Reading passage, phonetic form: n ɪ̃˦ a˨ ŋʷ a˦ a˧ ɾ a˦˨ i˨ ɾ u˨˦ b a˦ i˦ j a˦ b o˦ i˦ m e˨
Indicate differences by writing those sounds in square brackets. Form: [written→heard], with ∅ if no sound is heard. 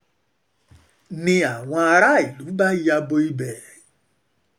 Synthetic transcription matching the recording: n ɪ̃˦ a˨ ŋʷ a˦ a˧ ɾ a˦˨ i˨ [ɾ→l] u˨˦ b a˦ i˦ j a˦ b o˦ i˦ [m→b] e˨

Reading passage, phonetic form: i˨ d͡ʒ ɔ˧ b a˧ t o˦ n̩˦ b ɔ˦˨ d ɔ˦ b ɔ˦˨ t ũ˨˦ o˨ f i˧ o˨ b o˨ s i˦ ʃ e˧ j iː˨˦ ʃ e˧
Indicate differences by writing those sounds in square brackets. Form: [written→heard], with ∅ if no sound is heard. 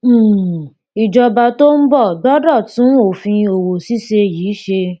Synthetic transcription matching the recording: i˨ d͡ʒ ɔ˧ b a˧ t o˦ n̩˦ b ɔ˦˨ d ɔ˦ [b→d] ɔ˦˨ t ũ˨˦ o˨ f [i˧→ĩ˧] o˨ [b→w] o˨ s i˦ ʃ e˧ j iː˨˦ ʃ e˧

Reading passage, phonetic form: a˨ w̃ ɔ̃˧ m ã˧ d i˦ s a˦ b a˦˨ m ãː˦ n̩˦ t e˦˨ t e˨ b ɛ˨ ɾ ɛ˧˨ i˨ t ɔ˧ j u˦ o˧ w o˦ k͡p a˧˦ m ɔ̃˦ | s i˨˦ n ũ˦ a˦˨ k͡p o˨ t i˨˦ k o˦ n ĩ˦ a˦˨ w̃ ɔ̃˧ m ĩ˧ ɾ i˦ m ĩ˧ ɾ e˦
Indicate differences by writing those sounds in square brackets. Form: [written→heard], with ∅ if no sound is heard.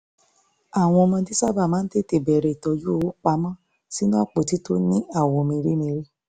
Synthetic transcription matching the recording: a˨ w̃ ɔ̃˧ m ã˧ d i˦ s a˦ b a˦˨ m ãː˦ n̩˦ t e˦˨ t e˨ b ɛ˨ ɾ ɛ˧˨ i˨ t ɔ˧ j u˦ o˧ w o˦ k͡p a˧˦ m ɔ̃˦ | s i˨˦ n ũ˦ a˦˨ k͡p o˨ t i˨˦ [k→t] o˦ n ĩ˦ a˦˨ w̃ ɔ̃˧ m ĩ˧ ɾ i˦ m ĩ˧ ɾ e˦

